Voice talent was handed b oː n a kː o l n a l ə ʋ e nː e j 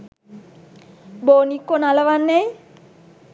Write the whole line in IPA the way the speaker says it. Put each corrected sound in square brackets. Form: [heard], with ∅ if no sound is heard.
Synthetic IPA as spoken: b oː n [i] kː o [∅] n a l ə ʋ [a] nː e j